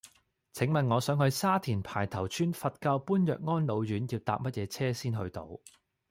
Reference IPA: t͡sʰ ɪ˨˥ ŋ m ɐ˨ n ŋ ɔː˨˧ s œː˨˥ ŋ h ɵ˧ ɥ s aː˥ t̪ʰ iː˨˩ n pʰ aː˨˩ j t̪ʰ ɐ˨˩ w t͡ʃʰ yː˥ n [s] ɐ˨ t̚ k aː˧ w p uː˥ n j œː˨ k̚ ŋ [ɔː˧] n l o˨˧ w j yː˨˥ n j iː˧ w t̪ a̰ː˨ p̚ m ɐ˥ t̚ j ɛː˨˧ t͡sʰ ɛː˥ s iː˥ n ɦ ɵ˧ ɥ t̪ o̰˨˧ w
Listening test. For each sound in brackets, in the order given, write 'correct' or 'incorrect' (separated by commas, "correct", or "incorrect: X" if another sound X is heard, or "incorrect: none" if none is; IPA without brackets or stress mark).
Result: incorrect: f, incorrect: ɔː˥